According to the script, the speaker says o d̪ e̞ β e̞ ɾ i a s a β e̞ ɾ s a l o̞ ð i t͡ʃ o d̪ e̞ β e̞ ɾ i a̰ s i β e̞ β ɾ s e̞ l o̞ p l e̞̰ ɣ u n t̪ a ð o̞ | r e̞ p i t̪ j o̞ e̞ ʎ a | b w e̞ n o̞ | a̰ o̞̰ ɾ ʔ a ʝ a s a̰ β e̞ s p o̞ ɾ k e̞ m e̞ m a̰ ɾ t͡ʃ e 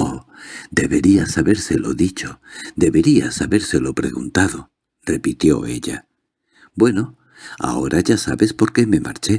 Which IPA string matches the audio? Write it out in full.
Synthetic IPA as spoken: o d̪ e̞ β e̞ ɾ i a s a β e̞ ɾ s e l o̞ ð i t͡ʃ o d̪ e̞ β e̞ ɾ i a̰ s a β e̞ ɾ s e̞ l o̞ p ɾ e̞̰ ɣ u n t̪ a ð o̞ | r e̞ p i t̪ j o̞ e̞ ʎ a | b w e̞ n o̞ | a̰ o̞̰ ɾ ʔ a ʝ a s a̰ β e̞ s p o̞ ɾ k e̞ m e̞ m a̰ ɾ t͡ʃ e